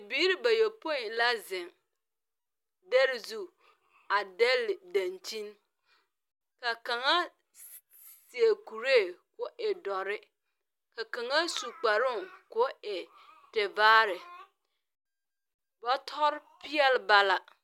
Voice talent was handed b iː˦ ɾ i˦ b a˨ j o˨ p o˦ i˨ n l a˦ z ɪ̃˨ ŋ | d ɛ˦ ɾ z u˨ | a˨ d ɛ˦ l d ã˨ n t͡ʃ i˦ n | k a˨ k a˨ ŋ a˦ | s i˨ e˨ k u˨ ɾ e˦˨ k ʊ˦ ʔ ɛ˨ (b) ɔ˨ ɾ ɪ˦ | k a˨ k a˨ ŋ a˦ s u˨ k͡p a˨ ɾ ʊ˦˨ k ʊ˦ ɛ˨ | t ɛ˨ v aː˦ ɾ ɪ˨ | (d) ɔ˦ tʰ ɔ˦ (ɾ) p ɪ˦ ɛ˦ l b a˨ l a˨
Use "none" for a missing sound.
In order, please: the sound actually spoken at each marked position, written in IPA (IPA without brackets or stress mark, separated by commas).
d, b, ɾ